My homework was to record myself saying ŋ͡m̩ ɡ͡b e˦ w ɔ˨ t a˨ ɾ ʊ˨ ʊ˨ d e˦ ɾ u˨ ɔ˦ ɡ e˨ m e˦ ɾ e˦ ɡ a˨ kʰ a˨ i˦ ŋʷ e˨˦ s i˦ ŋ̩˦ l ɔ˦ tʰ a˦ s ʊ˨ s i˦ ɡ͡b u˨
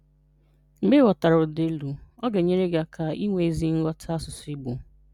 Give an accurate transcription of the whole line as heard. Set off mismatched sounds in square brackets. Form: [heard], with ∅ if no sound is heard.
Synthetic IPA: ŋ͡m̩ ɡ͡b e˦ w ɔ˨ t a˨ ɾ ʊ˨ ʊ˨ d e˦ [l] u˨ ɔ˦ ɡ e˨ [ɲ] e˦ ɾ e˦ ɡ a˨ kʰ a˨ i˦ ŋʷ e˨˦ [z] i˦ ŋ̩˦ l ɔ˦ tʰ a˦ s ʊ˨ s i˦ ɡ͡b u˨

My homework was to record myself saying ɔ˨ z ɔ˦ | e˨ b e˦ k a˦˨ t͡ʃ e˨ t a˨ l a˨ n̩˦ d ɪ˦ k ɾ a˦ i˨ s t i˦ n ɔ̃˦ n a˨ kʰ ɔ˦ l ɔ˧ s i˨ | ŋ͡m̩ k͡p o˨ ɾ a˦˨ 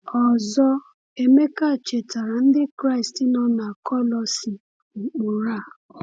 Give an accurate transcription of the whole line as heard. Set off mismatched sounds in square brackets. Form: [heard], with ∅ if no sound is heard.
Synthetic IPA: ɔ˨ z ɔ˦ | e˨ [m] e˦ k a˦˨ t͡ʃ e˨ t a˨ [ɾ] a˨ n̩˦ d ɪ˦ k ɾ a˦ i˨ s t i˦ n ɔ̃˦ n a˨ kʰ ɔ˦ l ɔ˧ s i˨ | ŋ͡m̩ k͡p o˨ ɾ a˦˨

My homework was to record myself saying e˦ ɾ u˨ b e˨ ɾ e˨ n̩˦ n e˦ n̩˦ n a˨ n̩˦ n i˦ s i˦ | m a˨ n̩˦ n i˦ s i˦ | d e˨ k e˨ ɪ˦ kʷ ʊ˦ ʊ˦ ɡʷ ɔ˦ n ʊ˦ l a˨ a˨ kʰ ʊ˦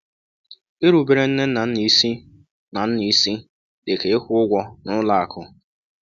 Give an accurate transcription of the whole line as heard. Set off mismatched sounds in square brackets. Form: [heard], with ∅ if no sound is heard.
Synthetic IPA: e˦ ɾ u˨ b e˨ ɾ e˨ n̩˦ n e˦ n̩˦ n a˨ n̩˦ n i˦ s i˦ | [n] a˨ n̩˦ n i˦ s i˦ | d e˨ k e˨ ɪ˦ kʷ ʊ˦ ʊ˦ ɡʷ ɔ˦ n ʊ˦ l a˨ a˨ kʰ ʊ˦

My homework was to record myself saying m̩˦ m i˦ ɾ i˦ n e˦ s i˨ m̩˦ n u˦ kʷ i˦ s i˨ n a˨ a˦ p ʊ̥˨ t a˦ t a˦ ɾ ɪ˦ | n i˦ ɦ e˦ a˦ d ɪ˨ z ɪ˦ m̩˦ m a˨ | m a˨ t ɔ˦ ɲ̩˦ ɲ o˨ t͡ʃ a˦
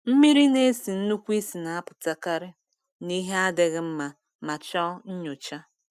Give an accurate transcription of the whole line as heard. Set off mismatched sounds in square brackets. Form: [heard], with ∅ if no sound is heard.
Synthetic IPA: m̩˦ m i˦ ɾ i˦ n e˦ s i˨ [n̩˦] n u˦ kʷ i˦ s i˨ n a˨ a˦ p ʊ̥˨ t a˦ [k] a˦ ɾ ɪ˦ | n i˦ ɦ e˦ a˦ d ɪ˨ [ɣ] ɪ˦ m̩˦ m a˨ | m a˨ [t͡ʃ] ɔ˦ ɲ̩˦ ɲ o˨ t͡ʃ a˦

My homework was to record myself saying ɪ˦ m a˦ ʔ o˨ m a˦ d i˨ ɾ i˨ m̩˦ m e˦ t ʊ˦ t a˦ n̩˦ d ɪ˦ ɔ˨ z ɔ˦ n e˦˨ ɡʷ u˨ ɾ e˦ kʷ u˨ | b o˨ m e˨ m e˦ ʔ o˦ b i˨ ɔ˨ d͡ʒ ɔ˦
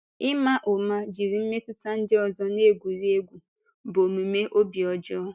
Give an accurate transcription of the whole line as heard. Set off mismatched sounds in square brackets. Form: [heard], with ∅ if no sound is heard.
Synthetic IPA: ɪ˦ m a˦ ʔ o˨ m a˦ [d͡ʒ] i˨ ɾ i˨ m̩˦ m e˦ t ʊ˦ t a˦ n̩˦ d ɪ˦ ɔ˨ z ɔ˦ n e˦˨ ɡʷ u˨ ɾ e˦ [ɡʷ] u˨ | b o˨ m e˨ m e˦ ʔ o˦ b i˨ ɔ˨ d͡ʒ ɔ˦

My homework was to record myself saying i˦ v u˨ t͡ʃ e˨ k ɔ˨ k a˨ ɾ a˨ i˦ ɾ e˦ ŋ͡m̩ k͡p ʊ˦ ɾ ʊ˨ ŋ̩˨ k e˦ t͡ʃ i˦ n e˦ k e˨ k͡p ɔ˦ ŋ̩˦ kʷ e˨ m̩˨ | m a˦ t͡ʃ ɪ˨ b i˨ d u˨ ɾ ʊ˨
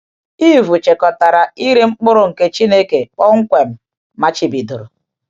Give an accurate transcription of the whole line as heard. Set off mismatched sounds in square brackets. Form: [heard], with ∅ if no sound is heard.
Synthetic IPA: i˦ v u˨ t͡ʃ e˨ k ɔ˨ [t] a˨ ɾ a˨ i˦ ɾ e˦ ŋ͡m̩ k͡p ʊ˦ ɾ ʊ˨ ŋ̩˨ k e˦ t͡ʃ i˦ n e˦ k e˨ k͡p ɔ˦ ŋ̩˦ kʷ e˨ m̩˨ | m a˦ t͡ʃ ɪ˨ b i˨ d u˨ ɾ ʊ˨

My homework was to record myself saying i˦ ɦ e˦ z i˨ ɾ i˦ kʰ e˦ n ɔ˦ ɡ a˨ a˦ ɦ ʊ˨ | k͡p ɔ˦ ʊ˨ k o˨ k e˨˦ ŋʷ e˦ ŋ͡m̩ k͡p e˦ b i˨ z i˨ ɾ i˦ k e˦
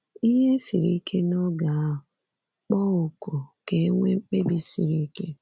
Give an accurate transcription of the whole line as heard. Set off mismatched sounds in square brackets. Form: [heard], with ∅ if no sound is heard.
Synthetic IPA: i˦ ɦ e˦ [s] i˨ ɾ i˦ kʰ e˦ n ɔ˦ ɡ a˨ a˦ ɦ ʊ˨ | k͡p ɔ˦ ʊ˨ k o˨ k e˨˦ ŋʷ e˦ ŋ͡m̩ k͡p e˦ b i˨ [s] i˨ ɾ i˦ k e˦

